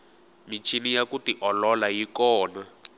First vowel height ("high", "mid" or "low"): high